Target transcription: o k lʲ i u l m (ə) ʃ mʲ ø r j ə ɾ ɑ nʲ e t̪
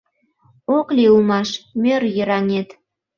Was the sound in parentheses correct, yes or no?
no